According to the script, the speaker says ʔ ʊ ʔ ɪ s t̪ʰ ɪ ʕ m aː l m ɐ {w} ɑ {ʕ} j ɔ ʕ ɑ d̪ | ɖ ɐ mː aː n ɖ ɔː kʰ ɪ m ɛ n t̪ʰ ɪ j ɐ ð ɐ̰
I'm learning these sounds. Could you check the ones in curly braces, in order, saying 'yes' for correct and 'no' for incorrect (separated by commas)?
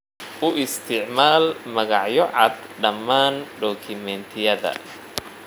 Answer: no, yes